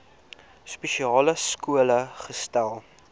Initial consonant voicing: voiceless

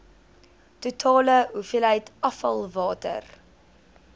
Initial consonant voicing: voiceless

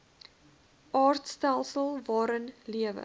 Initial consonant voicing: voiced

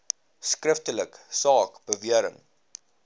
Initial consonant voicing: voiceless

